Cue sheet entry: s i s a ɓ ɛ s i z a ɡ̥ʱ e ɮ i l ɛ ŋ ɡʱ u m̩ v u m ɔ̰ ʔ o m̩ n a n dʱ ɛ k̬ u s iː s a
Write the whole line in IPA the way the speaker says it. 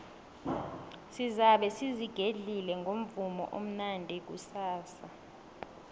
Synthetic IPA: s i z a ɓ ɛ s i z i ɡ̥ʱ e ɮ i l ɛ ŋ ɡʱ o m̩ v u m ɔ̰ ʔ o m̩ n a n dʱ ɛ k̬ u s aː s a